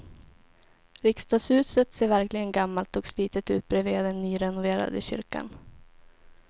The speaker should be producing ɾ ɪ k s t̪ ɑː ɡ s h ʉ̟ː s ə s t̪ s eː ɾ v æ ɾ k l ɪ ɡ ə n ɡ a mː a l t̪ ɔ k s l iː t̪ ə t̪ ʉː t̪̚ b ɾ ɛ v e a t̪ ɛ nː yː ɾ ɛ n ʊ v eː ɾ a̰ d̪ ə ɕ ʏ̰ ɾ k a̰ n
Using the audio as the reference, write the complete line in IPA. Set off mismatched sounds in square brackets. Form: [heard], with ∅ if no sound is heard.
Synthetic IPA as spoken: ɾ ɪ k s t̪ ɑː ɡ s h ʉ̟ː s ə [∅] t̪ s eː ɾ v æ ɾ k l ɪ ɡ ə n ɡ a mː a l t̪ ɔ k s l iː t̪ ə t̪ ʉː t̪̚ b ɾ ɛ v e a [d̪] ɛ nː yː ɾ ɛ n ʊ v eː ɾ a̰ d̪ ə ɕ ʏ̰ ɾ k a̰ n